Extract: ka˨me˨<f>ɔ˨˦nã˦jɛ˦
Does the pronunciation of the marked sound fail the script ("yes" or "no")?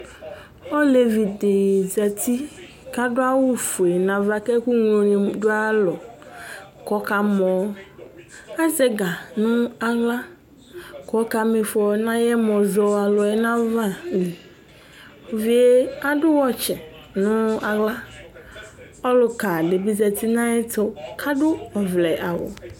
no